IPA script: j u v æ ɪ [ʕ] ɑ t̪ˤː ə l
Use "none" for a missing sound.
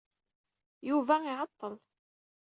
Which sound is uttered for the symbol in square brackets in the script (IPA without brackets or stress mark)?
ʕ